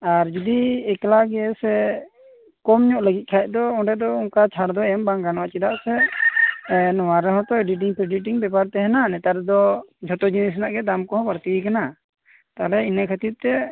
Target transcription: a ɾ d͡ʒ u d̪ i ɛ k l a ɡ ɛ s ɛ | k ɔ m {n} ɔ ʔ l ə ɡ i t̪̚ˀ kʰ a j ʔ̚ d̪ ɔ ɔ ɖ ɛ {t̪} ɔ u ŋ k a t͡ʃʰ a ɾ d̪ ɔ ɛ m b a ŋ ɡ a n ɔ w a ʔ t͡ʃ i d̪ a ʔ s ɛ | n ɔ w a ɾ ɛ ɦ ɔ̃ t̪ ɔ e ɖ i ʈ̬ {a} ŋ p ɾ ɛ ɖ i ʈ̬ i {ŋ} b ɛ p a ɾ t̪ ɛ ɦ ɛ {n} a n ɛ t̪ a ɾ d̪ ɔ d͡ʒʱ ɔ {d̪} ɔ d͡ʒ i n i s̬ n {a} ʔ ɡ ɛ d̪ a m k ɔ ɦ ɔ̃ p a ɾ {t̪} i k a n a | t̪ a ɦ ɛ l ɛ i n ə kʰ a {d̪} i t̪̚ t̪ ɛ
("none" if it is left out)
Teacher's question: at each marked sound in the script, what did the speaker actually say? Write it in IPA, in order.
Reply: ɲ, d̪, i, ŋ, n, t̪, a, t̪, t̪

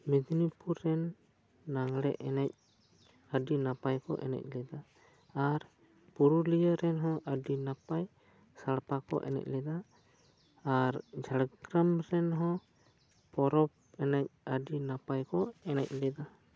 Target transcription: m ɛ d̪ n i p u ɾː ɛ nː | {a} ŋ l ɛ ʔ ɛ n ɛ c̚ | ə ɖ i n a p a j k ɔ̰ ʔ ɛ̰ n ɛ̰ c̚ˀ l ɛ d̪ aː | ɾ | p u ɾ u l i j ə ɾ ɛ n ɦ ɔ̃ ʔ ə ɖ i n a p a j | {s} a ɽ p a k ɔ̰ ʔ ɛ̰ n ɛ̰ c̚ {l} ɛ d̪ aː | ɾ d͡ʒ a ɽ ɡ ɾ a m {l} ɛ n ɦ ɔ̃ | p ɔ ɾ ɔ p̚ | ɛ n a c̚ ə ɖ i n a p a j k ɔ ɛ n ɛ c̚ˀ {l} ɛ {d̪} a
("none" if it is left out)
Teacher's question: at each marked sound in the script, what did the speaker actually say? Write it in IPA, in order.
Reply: a, s, l, ɾ, l, d̪

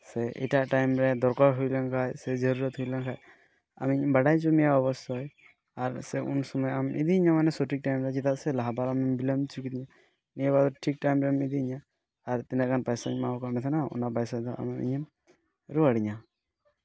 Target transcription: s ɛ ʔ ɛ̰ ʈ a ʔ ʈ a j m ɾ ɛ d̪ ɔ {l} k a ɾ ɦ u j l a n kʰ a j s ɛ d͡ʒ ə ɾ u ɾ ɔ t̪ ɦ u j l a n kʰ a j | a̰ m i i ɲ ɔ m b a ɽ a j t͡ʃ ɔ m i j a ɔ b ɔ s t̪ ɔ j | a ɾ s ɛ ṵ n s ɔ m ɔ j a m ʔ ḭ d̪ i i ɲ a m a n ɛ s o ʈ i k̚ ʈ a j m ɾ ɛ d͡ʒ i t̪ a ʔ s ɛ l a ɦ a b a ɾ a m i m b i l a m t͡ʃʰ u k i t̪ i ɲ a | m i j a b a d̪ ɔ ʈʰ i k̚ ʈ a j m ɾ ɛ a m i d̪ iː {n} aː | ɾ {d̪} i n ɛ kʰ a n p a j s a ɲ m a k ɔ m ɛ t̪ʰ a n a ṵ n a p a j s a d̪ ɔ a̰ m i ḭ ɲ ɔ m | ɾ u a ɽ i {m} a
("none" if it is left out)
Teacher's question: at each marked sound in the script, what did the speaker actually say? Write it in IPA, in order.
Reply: ɾ, ɲ, t̪, ɲ

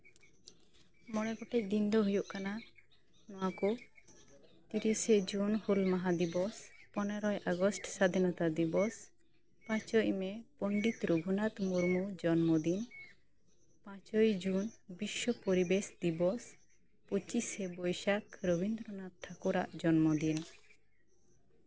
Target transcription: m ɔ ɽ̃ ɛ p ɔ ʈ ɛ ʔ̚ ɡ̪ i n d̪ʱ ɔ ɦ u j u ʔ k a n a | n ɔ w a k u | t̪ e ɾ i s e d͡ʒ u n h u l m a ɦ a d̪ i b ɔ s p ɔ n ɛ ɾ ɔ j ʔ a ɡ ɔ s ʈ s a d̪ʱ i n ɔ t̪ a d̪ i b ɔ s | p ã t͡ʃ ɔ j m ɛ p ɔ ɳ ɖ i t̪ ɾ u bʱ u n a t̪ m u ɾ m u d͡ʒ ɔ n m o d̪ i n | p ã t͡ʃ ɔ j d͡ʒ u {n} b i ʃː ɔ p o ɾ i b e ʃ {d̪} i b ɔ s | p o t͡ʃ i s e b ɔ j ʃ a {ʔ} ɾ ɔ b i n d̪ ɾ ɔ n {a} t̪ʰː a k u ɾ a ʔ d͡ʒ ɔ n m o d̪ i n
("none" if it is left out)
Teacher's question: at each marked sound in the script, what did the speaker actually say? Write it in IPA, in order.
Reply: n, d̪, k, a

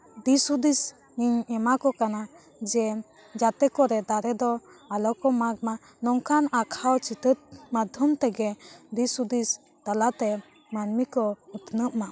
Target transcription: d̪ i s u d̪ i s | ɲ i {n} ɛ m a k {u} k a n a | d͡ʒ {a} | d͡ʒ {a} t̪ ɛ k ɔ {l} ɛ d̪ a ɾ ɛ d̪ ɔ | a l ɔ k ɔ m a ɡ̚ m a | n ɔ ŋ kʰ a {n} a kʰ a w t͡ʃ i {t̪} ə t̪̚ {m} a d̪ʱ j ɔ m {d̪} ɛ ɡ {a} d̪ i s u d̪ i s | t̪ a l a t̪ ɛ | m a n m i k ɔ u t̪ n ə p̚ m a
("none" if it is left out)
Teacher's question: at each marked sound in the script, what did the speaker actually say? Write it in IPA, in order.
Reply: ɲ, ɔ, ɛ, a, ɾ, n, t̪, m, t̪, ɛ

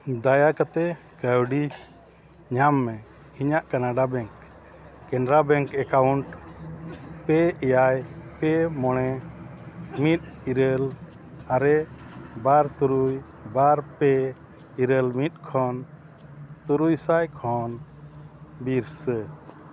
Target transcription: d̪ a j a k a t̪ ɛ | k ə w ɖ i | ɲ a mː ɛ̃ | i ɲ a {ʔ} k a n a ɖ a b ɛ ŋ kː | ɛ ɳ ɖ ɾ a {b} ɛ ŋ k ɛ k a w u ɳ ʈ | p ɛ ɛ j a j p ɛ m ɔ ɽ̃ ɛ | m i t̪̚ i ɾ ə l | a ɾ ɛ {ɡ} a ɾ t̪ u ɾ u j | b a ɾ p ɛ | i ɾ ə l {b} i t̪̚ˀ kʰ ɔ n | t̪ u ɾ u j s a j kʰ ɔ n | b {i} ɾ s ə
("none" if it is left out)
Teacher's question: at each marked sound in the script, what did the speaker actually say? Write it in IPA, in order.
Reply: ʔ, b, b, m, i

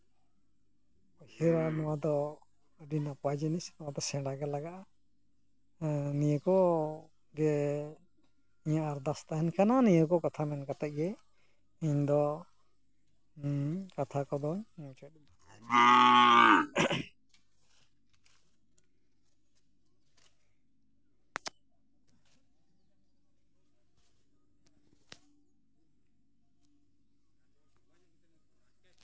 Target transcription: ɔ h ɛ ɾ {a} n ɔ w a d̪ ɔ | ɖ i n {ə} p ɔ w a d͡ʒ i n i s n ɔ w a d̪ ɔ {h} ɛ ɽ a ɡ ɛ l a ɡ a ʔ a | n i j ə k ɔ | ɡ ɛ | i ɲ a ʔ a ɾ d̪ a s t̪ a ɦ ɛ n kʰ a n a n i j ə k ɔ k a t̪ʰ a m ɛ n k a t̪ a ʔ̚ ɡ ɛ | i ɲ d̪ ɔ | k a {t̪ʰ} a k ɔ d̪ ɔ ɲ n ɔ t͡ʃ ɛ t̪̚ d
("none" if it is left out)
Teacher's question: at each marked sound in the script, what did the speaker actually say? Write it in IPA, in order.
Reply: a, a, s, t̪ʰ

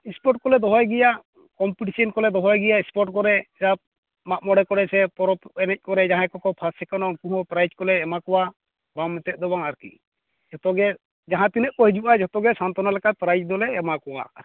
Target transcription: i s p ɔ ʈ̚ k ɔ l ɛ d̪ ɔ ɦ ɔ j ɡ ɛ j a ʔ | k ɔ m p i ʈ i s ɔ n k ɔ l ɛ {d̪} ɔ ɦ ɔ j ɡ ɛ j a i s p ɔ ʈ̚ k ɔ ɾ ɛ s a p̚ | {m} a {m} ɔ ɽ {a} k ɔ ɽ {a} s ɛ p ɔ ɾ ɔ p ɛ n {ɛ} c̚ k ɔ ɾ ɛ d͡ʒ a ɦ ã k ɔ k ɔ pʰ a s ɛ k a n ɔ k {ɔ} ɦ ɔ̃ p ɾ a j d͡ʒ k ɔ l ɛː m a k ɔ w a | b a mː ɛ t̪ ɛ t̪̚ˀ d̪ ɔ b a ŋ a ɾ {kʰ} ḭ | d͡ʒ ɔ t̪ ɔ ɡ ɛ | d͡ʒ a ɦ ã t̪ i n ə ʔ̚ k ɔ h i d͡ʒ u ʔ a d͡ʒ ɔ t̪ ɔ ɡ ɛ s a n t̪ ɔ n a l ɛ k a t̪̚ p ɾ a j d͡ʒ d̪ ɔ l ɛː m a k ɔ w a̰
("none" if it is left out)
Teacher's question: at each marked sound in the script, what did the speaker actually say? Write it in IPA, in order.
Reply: d̪, m, m, ɛ, ɛ, ɛ, u, k

